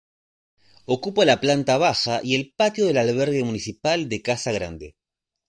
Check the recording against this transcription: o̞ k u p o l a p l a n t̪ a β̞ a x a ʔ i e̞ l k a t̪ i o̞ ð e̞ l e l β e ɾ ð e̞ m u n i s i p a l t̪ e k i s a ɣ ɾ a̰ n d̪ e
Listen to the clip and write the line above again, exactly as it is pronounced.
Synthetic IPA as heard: o̞ k u p o l a p l a n t̪ a β̞ a x a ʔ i e̞ l p a t̪ j o̞ ð e̞ l a l β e ɾ ɣ e̞ m u n i s i p a l d̪ e k a s a ɣ ɾ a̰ n d̪ e

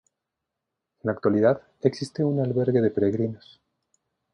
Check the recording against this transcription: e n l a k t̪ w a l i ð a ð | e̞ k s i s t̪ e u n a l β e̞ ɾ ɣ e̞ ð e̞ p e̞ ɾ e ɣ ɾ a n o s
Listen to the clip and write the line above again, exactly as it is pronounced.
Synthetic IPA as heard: e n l a k t̪ w a l i ð a ð | e̞ k s i s t̪ e u n a l β e̞ ɾ ɣ e̞ ð e̞ p e̞ ɾ e ɣ ɾ i n o s

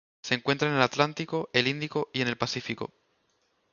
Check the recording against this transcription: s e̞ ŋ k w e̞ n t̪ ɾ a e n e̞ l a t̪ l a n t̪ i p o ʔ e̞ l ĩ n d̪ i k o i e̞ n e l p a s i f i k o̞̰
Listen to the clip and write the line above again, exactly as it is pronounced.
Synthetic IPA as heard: s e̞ ŋ k w e̞ n t̪ ɾ a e n e̞ l a t̪ l a n t̪ i k o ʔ e̞ l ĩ n d̪ i k o i e̞ n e l p a s i f i k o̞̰

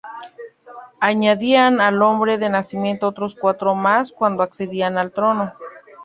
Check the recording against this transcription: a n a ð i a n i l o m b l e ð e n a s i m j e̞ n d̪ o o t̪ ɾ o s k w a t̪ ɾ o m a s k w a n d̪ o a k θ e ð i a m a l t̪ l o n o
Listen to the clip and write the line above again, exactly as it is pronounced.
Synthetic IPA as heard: a ɲ a ð i a n a l o m b ɾ e ð e n a s i m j e̞ n t̪ o o t̪ ɾ o s k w a t̪ ɾ o m a s k w a n d̪ o a k s e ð i a n a l t̪ ɾ o n o

